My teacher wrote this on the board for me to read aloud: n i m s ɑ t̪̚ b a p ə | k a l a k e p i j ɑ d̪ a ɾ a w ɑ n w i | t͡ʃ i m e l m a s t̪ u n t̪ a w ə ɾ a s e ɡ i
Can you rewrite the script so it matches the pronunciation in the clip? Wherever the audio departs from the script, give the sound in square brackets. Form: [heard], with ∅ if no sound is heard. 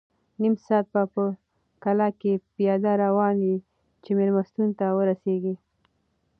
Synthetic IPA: n i m s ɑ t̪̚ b a p ə | k a l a k e p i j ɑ d̪ a ɾ a w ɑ n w i | t͡ʃ [e] m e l m a s t̪ u n t̪ a w ə ɾ a s e ɡ i